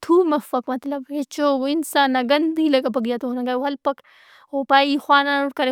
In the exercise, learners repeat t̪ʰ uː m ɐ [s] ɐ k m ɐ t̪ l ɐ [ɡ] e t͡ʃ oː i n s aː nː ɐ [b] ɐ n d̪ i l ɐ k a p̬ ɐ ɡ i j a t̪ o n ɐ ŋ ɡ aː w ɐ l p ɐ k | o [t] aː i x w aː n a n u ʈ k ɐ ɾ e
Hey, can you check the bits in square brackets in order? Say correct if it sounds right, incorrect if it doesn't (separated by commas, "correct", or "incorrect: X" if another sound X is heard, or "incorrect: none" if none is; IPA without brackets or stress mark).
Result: incorrect: f, incorrect: b, incorrect: ɡ, incorrect: p